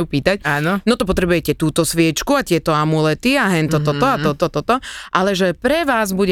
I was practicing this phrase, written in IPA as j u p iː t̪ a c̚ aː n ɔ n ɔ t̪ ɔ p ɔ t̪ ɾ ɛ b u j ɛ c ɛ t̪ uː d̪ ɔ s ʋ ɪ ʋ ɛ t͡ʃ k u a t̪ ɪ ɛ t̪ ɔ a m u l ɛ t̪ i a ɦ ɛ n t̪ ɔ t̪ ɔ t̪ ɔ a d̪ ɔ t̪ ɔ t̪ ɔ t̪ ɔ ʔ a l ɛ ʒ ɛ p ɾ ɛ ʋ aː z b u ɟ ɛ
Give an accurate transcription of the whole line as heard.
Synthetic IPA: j u p iː t̪ a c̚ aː n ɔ n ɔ t̪ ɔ p ɔ t̪ ɾ ɛ b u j ɛ c ɛ t̪ uː t̪ ɔ s ʋ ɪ ɛ t͡ʃ k u a t̪ ɪ ɛ t̪ ɔ a m u l ɛ t̪ i a ɦ ɛ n t̪ ɔ t̪ ɔ t̪ ɔ a t̪ ɔ t̪ ɔ t̪ ɔ t̪ ɔ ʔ a l ɛ ʒ ɛ p ɾ ɛ ʋ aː z b u ɟ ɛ